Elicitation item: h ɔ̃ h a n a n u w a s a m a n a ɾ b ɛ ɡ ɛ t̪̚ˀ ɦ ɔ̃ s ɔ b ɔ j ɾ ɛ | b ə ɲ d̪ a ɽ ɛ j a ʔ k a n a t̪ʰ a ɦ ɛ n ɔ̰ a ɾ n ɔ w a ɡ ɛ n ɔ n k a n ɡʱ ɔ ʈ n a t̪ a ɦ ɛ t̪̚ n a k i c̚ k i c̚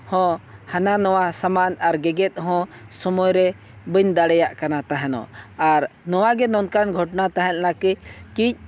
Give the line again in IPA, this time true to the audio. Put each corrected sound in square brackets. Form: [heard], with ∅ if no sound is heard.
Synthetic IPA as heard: h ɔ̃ h a n a n [ɔ] w a s a m a n a ɾ [ɡ] ɛ ɡ ɛ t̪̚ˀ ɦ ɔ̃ s ɔ [m] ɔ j ɾ ɛ | b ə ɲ d̪ a ɽ ɛ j a ʔ k a n a [t̪] a ɦ ɛ n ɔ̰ a ɾ n ɔ w a ɡ ɛ n ɔ n k a n ɡʱ ɔ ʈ n a t̪ a ɦ ɛ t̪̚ n a k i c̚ k i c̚